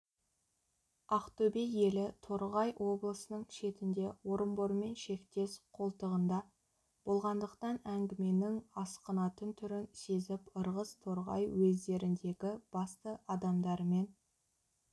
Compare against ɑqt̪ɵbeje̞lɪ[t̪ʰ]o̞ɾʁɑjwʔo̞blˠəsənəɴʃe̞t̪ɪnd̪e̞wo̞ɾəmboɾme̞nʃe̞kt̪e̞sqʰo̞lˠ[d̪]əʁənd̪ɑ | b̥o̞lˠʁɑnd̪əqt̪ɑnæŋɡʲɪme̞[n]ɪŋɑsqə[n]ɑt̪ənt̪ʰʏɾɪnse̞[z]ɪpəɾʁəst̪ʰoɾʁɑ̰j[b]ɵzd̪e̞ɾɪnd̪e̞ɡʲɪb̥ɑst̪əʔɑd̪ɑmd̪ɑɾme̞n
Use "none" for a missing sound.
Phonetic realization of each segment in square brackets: t̪ʰ, t̪, n, n, z, w

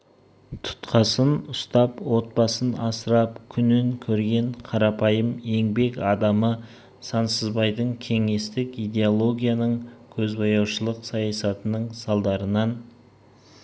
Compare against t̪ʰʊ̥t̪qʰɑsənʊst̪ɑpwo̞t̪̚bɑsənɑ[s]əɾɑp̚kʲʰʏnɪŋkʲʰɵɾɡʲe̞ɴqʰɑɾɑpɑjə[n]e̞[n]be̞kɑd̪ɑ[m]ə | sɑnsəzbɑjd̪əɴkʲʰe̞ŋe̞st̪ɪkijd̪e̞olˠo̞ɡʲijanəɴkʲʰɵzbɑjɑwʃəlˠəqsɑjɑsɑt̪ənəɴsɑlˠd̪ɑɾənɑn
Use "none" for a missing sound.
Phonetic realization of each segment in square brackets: s, m, ŋ, m

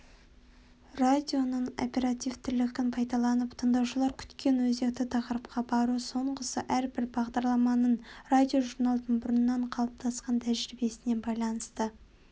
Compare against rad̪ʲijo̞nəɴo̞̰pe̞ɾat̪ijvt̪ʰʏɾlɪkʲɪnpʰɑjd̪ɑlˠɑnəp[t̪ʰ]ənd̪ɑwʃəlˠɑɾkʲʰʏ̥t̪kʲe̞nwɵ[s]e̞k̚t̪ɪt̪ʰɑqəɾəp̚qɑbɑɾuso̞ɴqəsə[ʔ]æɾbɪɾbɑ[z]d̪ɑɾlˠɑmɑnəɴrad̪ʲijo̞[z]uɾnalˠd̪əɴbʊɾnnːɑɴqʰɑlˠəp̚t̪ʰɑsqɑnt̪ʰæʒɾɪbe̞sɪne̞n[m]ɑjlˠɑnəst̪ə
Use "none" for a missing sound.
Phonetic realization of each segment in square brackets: t̪ʰ, z, ʔ, ʁ, ʒ, b

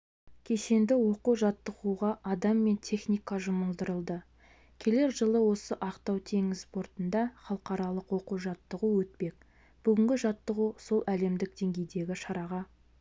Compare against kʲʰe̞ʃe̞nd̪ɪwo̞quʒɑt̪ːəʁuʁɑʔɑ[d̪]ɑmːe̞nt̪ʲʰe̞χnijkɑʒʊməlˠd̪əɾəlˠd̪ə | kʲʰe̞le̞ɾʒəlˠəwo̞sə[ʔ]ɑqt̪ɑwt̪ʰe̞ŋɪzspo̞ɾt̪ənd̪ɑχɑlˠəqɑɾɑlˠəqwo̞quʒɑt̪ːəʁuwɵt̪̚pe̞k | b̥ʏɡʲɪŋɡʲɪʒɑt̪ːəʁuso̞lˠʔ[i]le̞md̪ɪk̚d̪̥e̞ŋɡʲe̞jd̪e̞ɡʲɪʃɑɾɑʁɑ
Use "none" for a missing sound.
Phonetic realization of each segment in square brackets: d̪, ʔ, æ

